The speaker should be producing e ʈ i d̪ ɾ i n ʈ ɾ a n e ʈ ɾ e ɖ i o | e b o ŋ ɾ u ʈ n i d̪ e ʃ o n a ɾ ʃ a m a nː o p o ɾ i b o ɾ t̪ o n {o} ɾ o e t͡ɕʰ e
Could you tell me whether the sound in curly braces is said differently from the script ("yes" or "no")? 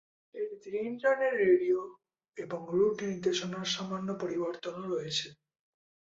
no